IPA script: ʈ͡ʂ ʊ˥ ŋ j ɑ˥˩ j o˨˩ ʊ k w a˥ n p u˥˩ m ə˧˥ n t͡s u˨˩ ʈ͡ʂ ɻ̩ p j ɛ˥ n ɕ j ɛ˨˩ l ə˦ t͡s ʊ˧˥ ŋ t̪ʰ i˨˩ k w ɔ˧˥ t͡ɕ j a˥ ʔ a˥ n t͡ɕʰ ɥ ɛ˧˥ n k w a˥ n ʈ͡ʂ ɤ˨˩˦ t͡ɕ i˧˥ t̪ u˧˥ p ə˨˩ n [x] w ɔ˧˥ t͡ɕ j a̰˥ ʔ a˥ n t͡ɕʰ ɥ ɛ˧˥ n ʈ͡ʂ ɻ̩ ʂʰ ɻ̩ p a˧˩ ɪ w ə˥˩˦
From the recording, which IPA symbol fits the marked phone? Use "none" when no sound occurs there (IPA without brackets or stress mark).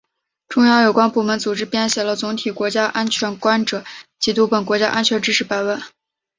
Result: k